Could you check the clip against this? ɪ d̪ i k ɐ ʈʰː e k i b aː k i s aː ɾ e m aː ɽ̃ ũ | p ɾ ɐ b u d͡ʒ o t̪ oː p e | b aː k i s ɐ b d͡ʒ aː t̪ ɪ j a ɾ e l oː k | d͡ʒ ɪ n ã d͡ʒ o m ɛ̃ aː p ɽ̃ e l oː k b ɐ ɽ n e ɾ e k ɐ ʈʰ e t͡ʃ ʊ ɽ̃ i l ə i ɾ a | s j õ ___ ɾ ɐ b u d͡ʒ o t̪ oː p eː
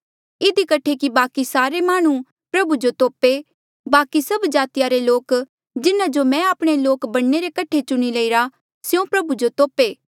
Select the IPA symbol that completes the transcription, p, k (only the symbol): p